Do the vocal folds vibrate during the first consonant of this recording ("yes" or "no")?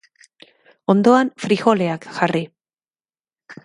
yes